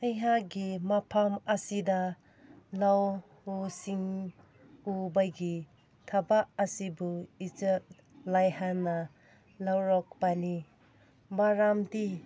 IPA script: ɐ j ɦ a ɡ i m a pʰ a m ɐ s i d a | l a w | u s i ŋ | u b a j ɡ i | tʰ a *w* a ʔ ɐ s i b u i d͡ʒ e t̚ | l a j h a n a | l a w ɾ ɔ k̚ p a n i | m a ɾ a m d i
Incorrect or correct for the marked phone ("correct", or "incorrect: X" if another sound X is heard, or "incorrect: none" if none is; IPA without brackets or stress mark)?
incorrect: b